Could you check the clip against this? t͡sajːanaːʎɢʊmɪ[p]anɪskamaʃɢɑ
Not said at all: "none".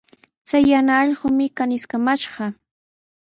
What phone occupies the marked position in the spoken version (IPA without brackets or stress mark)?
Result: k